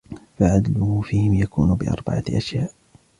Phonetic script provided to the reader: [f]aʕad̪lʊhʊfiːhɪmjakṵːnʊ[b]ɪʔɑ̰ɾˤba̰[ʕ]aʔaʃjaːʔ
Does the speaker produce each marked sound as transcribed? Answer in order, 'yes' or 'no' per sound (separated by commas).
yes, yes, yes